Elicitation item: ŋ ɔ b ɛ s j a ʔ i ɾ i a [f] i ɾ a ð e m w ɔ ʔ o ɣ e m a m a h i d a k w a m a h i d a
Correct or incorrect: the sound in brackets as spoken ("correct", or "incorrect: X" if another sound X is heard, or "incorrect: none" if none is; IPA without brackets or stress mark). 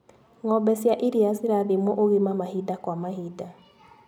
incorrect: s